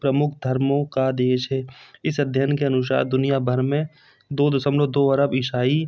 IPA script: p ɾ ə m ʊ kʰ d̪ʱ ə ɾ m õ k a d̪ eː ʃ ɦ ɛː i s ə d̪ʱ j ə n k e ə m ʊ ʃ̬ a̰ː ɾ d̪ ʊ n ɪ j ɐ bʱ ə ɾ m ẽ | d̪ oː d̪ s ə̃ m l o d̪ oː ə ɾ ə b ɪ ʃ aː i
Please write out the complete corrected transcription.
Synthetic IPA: p ɾ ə m ʊ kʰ d̪ʱ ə ɾ m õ k a d̪ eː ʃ ɦ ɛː ɪ s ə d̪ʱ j ə n k e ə n ʊ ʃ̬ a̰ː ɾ d̪ ʊ n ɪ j a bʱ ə ɾ m ẽ | d̪ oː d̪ s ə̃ m l o d̪ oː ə ɾ ə b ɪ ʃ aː i

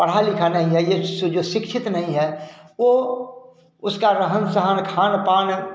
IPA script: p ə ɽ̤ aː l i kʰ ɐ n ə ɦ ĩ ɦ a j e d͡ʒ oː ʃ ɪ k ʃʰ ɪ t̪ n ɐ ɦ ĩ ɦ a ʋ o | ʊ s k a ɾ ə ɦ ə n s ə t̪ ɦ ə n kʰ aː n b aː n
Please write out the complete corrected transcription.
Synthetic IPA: p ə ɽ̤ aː l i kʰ a n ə ɦ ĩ ɦ ɛ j e d͡ʒ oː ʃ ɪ k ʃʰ ɪ t̪ n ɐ ɦ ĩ ɦ ɛ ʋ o | ʊ s k a ɾ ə ɦ ə n s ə ɦ ə n kʰ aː n p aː n

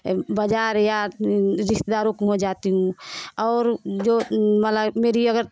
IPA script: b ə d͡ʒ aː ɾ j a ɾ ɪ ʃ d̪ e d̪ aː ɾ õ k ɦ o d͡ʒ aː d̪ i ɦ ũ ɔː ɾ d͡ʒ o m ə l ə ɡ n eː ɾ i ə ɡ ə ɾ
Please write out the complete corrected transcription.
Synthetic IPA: b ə d͡ʒ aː ɾ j a ɾ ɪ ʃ t̪ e d̪ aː ɾ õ k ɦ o d͡ʒ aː t̪ i ɦ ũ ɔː ɾ d͡ʒ o m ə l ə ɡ m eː ɾ i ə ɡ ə ɾ

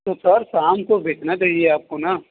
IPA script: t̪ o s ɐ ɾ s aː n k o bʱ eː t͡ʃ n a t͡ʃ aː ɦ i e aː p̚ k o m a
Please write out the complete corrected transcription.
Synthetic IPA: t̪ o s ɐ ɾ s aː m k o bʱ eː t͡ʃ n a t͡ʃ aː ɦ i e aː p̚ k o n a

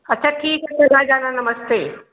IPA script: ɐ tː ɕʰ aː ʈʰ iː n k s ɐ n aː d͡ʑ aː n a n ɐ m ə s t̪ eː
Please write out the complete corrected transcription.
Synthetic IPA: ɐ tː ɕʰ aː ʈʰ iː k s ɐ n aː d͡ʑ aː n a n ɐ m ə s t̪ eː

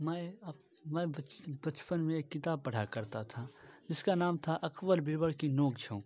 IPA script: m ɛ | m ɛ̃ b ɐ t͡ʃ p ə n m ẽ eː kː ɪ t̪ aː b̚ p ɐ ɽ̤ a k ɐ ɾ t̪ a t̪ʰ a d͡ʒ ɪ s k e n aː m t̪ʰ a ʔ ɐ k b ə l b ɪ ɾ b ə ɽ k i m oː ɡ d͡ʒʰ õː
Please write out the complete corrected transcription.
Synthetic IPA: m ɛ | m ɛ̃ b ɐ t͡ʃ p ə n m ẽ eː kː ɪ t̪ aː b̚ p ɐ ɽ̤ a k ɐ ɾ t̪ a t̪ʰ a d͡ʒ ɪ s k a n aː m t̪ʰ a ʔ ɐ k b ə l b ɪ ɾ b ə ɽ k i n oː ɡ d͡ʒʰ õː

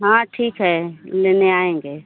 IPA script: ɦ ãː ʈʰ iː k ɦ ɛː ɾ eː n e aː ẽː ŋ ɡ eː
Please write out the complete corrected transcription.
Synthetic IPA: ɦ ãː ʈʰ iː k ɦ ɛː l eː n e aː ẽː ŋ ɡ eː

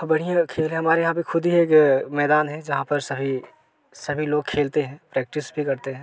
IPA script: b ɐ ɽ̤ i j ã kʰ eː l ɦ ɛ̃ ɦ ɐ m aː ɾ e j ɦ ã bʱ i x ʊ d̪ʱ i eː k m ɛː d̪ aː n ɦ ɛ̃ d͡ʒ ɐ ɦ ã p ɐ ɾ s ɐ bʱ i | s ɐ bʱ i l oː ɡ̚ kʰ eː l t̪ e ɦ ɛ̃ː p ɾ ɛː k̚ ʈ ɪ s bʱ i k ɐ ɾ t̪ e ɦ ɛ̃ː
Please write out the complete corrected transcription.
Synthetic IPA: b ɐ ɽ̤ i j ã kʰ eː l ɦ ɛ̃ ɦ ɐ m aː ɾ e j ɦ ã bʱ i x ʊ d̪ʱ i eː k m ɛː d̪ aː n ɦ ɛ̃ d͡ʒ ɐ ɦ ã p ɐ ɾ s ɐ bʱ i | s ɐ bʱ i l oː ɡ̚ kʰ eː l t̪ e ɦ ɛ̃ː p ɾ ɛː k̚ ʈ ɪ s bʱ i k ɐ ɾ t̪ e ɦ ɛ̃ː

